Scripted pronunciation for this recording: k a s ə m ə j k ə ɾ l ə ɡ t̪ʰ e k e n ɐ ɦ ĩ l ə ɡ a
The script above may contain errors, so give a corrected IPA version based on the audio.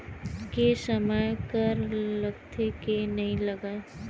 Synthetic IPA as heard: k e s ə m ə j k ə ɾ l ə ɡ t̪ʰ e k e n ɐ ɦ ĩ l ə ɡ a

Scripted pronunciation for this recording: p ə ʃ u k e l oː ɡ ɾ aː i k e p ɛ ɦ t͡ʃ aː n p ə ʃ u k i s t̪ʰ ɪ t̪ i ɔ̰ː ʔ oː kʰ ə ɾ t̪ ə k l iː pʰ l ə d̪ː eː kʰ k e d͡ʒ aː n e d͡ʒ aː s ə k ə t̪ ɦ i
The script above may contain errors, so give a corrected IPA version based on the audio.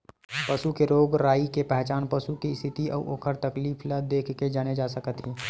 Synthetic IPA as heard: p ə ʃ u k e ɾ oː ɡ ɾ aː i k e p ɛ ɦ t͡ʃ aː n p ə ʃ u k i s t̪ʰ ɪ t̪ i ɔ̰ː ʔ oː kʰ ə ɾ t̪ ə k l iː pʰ l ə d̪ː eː kʰ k e d͡ʒ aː n e d͡ʒ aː s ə k ə t̪ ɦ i

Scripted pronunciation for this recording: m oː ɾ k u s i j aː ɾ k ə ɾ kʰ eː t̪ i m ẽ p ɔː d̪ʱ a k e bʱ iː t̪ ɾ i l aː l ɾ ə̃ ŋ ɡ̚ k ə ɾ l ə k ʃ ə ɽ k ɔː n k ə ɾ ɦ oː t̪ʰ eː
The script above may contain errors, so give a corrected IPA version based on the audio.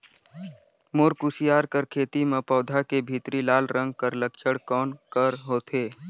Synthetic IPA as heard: m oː ɾ k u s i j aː ɾ k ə ɾ kʰ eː t̪ i m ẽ p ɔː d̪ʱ a k e bʱ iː t̪ ɾ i l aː l ɾ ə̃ ŋ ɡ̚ k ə ɾ l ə k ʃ ə ɽ k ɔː n k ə ɾ ɦ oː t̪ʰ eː

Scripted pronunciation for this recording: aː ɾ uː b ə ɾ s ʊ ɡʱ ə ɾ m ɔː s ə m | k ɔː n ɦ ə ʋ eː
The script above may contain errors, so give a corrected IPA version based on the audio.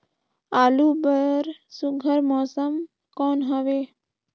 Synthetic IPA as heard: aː l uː b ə ɾ s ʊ ɡʱ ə ɾ m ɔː s ə m | k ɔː n ɦ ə ʋ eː

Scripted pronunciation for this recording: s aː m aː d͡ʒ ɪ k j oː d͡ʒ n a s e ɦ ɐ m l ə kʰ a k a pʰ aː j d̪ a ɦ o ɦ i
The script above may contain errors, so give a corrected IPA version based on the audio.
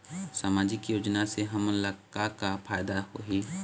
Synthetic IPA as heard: s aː m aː d͡ʒ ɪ k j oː d͡ʒ n a s e ɦ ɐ m l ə k a k a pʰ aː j d̪ a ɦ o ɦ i

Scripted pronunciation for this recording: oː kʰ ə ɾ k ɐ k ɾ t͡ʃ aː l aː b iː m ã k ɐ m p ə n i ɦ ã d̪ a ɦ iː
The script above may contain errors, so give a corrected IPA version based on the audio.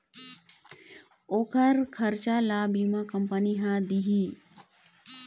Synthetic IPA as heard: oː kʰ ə ɾ kʰ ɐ ɾ t͡ʃ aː l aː b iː m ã k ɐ m p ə n i ɦ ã d̪ i ɦ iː

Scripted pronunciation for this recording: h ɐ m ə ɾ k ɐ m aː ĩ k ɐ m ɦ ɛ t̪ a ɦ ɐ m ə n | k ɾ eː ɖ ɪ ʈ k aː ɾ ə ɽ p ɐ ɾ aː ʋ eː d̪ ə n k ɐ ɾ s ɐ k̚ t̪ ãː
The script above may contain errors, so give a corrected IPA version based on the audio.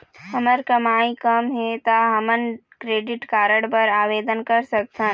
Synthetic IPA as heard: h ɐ m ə ɾ k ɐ m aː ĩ k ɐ m ɦ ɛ t̪ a ɦ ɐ m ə n | k ɾ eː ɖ ɪ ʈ k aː ɾ ə ɽ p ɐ ɾ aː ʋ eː d̪ ə n k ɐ ɾ s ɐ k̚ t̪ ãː

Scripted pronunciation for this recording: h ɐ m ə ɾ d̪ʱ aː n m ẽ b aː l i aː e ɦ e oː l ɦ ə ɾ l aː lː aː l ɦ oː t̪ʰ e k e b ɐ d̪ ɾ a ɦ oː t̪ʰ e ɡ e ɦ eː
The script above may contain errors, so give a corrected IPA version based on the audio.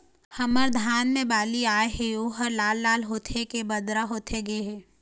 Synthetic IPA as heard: h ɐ m ə ɾ d̪ʱ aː n m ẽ b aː l i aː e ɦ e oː ɦ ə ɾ l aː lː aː l ɦ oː t̪ʰ e k e b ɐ d̪ ɾ a ɦ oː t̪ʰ e ɡ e ɦ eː

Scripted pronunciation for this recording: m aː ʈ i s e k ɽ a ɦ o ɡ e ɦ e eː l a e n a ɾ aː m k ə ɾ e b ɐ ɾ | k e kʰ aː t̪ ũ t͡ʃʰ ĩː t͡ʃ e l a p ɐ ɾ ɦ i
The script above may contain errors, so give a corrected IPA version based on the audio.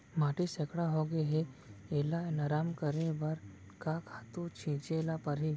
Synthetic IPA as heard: m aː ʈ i s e k ɽ a ɦ o ɡ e ɦ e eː l a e n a ɾ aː m k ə ɾ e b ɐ ɾ | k a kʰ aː t̪ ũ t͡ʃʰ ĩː t͡ʃ e l a p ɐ ɾ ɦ i

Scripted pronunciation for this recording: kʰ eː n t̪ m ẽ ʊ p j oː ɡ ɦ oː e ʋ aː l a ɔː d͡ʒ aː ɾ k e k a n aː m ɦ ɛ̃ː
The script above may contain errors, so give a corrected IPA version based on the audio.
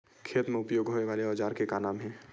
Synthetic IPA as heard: kʰ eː t̪ m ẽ ʊ p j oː ɡ ɦ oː e ʋ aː l e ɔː d͡ʒ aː ɾ k e k a n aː m ɦ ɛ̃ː

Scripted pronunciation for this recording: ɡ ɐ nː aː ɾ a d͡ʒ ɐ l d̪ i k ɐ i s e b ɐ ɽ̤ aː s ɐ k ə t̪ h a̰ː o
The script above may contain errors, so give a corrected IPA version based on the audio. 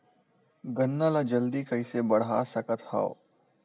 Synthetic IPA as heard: ɡ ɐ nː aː l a d͡ʒ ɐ l d̪ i k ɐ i s e b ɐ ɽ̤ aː s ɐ k ə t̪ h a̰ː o

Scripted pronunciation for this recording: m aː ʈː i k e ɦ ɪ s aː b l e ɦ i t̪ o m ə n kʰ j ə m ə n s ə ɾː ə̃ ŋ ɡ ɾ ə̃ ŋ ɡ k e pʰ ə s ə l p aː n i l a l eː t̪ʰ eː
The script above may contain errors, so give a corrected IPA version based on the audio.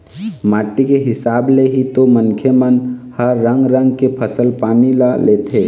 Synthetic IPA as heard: m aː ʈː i k e ɦ ɪ s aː b l e ɦ i t̪ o m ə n kʰ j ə m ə n h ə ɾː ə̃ ŋ ɡ ɾ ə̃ ŋ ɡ k e pʰ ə s ə l p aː n i l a l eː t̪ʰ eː

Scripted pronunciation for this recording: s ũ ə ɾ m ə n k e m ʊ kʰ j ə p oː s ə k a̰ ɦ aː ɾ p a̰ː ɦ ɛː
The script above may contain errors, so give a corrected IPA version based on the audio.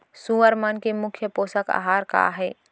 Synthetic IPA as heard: s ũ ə ɾ m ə n k e m ʊ kʰ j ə p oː s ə k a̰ ɦ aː ɾ k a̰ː ɦ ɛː

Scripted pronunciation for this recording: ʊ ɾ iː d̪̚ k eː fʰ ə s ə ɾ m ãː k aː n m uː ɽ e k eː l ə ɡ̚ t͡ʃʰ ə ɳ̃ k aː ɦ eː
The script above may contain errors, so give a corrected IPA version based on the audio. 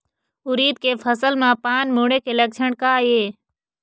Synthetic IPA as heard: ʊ ɾ iː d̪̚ k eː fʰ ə s ə l m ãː p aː n m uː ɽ e k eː l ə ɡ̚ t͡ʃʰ ə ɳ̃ k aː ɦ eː

